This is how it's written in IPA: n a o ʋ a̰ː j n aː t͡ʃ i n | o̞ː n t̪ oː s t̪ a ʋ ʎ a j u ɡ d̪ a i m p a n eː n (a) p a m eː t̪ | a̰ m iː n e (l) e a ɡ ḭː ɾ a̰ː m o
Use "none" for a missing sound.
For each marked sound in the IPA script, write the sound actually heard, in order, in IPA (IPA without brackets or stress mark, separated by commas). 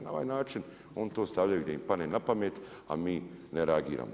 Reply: a, ɾ